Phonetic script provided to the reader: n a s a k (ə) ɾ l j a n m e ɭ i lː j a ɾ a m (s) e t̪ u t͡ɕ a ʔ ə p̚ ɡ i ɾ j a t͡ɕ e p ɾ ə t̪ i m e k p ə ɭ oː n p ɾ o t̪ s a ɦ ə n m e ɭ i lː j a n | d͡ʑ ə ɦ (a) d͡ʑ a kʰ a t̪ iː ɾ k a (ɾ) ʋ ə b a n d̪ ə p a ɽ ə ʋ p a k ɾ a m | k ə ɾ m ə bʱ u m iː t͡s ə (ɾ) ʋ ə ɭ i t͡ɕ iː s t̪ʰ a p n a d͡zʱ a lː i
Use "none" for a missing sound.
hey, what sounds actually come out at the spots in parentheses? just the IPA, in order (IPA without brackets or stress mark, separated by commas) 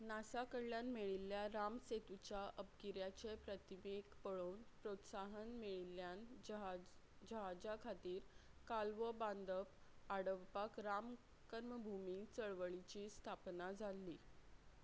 ə, s, a, l, ɭ